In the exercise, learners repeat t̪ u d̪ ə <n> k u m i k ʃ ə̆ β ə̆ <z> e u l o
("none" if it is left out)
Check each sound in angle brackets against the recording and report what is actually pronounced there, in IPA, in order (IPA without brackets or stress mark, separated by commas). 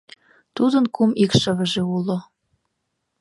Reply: n, ʒ